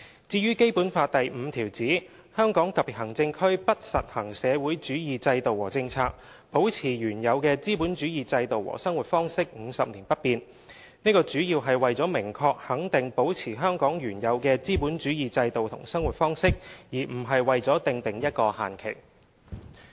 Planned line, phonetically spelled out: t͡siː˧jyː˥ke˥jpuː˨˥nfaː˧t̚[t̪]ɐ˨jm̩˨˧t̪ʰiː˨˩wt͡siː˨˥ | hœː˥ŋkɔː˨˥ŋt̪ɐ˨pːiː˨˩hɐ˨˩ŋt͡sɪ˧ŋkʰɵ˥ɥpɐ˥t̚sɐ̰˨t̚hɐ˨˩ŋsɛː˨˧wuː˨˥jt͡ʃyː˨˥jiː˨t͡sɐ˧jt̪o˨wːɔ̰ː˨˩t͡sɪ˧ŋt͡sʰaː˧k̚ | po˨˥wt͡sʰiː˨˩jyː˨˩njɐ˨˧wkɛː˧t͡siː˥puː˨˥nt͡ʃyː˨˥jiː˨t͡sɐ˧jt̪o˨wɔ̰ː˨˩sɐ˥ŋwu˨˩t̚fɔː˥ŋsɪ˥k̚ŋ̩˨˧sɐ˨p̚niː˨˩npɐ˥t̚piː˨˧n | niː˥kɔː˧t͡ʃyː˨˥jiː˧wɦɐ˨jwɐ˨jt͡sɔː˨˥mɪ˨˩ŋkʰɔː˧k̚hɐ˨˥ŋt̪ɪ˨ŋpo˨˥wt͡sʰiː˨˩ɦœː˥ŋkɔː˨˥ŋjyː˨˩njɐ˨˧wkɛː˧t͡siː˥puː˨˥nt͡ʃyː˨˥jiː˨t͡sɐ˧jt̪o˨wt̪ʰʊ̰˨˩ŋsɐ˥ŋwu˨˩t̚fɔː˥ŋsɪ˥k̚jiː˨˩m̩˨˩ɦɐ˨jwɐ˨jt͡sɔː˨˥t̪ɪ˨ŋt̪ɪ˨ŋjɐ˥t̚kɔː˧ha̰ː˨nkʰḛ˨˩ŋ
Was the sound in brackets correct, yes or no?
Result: yes